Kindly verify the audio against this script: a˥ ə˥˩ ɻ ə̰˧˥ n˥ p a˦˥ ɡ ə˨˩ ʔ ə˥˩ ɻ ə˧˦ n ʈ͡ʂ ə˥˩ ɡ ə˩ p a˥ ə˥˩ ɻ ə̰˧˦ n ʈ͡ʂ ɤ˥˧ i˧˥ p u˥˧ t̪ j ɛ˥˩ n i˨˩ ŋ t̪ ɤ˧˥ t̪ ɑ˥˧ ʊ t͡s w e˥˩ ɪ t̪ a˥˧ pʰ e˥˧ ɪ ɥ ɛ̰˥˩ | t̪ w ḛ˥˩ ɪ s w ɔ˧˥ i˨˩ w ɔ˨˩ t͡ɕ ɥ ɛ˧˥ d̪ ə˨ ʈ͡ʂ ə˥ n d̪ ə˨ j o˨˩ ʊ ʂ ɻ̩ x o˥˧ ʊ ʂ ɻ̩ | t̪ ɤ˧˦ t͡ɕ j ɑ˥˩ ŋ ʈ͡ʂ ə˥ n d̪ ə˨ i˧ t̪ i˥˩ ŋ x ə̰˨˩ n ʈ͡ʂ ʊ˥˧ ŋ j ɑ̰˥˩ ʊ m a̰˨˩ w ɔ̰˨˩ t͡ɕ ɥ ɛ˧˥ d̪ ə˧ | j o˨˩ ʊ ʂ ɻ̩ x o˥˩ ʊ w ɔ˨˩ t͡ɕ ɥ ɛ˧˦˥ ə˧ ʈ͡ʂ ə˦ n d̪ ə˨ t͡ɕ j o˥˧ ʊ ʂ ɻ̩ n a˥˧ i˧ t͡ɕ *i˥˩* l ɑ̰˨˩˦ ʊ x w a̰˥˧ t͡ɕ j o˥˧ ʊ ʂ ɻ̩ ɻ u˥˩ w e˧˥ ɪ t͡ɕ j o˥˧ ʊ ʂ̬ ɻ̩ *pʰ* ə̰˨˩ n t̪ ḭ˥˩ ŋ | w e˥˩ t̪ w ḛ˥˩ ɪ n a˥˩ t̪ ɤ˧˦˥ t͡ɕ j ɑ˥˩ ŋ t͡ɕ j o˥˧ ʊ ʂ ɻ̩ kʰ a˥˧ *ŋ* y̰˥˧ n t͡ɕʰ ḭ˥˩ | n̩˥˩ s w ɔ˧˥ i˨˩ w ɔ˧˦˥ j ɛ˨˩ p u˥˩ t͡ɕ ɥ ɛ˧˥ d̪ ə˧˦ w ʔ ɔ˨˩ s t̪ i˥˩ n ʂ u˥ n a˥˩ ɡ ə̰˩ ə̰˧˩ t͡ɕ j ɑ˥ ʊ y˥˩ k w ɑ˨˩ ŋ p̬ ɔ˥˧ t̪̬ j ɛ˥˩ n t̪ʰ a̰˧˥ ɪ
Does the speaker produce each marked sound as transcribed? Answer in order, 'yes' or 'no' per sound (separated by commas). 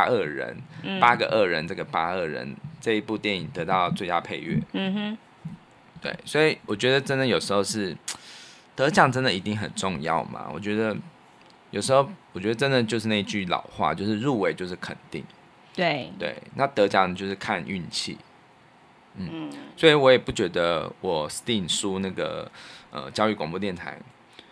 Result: no, no, no